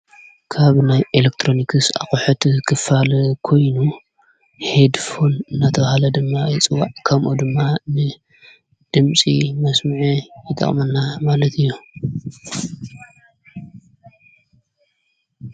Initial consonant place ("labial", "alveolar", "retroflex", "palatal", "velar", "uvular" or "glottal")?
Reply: velar